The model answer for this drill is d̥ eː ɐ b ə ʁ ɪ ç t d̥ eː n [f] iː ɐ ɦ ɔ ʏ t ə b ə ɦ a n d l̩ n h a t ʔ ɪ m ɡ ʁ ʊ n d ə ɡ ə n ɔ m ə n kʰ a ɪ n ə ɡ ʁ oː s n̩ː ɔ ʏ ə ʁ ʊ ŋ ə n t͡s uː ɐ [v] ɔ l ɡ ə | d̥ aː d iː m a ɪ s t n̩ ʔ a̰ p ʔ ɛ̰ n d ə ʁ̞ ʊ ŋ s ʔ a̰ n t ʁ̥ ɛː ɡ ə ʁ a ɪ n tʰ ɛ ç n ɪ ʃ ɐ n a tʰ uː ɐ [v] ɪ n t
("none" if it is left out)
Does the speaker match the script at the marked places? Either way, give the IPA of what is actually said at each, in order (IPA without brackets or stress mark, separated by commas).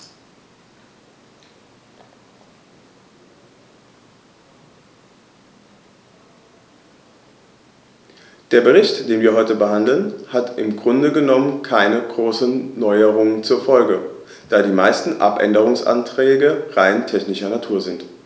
v, f, z